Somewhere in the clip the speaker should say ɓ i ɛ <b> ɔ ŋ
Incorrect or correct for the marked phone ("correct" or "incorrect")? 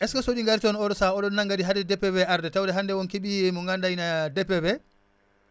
incorrect